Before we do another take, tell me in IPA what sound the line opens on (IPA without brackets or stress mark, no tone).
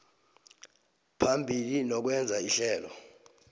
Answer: pʰ